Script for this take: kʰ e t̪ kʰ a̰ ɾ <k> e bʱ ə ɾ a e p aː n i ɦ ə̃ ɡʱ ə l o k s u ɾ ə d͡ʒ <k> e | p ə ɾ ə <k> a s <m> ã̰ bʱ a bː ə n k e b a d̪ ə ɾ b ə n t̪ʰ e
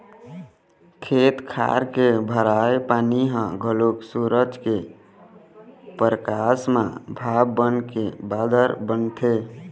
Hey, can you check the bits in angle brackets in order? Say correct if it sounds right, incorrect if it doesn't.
correct, correct, correct, correct

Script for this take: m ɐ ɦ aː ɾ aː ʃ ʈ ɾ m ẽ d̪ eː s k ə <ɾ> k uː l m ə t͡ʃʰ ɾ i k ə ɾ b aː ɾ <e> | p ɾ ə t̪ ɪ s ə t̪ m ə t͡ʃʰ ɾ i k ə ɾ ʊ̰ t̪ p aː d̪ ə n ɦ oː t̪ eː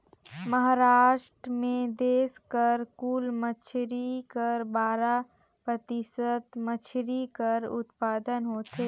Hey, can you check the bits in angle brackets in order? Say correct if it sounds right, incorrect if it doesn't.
correct, incorrect

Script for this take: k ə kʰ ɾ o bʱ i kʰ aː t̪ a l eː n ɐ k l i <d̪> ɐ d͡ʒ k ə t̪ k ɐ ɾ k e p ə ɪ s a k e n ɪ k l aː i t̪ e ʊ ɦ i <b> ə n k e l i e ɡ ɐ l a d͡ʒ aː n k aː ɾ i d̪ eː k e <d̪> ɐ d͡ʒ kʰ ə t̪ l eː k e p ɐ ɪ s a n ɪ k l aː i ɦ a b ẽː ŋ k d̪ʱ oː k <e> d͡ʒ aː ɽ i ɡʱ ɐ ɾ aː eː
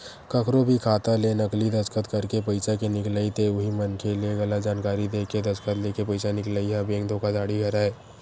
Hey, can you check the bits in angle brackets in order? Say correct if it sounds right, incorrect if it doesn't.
correct, incorrect, correct, incorrect

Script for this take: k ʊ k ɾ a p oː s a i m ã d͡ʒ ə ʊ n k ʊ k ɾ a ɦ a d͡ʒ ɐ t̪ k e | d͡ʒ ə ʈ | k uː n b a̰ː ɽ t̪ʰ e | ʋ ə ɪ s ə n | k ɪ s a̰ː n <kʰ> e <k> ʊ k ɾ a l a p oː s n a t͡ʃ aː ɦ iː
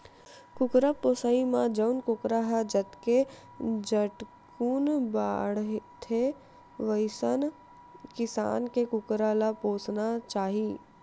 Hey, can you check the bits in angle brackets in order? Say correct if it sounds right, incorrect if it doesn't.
incorrect, correct

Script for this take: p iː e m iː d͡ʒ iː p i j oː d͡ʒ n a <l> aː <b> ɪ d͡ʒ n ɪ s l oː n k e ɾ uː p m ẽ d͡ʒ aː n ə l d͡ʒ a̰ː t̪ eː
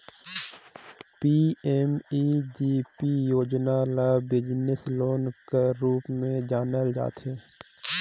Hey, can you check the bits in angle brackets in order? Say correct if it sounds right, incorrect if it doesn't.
correct, correct

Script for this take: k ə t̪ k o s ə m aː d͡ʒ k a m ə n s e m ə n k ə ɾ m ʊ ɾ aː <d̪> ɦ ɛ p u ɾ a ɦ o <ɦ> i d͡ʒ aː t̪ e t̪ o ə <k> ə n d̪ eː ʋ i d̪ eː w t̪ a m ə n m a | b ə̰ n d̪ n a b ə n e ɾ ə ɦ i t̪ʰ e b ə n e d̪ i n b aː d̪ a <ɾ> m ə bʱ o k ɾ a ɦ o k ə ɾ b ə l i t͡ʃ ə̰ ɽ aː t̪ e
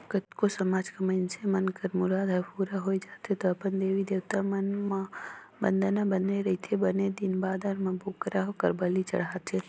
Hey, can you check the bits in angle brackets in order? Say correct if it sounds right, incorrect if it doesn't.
correct, incorrect, incorrect, correct

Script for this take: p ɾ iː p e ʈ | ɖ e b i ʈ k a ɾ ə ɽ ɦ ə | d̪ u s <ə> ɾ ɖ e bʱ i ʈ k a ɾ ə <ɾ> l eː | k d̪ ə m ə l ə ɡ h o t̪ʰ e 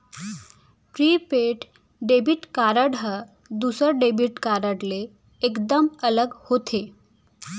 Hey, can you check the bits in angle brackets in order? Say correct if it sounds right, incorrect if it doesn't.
correct, incorrect

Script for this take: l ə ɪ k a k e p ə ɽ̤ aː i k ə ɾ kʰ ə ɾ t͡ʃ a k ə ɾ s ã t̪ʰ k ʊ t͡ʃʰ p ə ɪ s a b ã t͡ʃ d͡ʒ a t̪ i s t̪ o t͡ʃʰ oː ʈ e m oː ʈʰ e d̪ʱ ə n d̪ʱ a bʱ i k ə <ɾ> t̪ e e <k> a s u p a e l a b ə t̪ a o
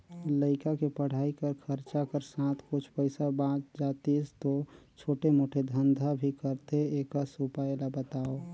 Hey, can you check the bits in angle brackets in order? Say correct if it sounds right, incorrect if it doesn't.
correct, correct

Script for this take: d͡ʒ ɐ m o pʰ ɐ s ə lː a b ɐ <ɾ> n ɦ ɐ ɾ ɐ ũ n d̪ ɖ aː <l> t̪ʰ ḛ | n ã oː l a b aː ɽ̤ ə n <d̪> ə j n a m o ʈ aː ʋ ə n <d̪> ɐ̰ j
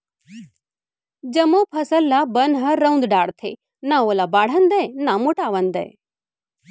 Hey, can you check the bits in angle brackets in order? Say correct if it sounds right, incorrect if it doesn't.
incorrect, incorrect, correct, correct

